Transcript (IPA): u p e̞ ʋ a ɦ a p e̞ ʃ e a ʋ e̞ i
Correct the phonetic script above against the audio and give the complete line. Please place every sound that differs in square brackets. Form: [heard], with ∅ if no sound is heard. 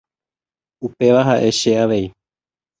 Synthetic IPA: u p e̞ ʋ a ɦ a [ʔ] e̞ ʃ e a ʋ e̞ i